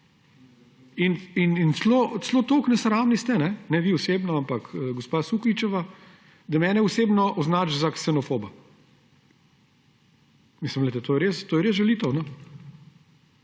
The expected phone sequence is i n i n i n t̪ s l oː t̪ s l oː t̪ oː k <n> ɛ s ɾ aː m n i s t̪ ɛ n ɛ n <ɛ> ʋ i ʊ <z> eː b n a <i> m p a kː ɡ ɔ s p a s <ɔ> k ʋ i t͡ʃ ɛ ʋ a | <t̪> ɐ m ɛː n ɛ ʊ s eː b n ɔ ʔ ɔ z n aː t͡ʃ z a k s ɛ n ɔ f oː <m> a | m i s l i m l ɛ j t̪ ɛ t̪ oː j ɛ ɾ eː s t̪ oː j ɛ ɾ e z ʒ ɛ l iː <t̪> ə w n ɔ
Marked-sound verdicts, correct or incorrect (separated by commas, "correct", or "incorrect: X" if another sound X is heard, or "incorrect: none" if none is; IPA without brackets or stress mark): correct, correct, incorrect: s, incorrect: a, incorrect: u, incorrect: d̪, incorrect: b, correct